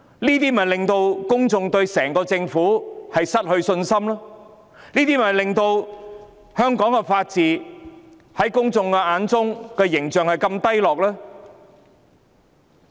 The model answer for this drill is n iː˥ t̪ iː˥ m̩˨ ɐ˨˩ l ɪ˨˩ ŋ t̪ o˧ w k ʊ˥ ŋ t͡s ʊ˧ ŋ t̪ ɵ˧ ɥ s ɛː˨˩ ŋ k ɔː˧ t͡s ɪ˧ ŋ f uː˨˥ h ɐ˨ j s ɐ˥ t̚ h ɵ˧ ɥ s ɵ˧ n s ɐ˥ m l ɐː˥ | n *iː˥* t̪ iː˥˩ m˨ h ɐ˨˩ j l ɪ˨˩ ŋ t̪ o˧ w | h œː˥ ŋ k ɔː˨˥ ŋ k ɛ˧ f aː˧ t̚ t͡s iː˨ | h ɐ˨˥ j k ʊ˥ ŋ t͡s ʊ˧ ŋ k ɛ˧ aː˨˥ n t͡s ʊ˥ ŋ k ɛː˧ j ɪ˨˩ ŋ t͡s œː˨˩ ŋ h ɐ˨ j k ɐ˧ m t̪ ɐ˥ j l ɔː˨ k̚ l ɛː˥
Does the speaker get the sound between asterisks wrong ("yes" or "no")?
no